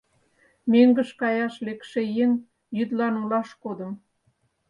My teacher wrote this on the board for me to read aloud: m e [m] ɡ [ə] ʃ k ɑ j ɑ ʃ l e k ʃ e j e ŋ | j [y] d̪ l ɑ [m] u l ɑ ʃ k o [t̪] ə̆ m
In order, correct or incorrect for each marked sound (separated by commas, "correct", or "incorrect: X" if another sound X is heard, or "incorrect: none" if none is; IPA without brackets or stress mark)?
incorrect: ŋ, correct, correct, incorrect: n, incorrect: d̪